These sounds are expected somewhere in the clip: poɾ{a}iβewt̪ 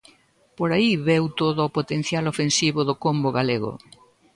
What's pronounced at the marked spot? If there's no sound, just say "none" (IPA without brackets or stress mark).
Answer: a